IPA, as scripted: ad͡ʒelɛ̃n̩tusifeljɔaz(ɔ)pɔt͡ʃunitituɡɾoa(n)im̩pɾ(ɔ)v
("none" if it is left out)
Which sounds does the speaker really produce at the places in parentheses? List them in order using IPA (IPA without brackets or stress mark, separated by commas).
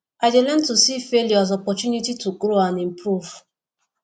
ɔ, n, u